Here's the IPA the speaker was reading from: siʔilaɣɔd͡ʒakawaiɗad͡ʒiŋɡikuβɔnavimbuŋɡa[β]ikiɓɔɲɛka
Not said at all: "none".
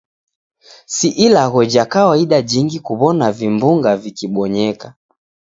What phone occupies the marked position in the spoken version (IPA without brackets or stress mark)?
v